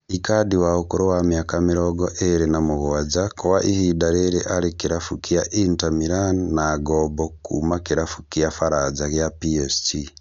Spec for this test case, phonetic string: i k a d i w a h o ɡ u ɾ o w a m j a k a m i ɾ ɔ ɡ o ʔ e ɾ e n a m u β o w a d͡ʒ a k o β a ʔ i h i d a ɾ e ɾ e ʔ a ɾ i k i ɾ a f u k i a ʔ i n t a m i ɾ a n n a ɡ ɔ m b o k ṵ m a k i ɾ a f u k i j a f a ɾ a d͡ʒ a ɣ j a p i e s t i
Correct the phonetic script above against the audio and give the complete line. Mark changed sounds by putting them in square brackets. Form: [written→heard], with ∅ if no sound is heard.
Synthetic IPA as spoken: i k a d i w a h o [ɡ→k] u ɾ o w a m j a k a m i ɾ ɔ ɡ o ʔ e ɾ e n a m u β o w a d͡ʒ a k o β a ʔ i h i d a ɾ e ɾ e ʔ a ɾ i k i ɾ a f u k i a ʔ i n t a m i ɾ a n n a ɡ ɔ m b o k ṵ m a k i ɾ a f u k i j a f a ɾ a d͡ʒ a ɣ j a p i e s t i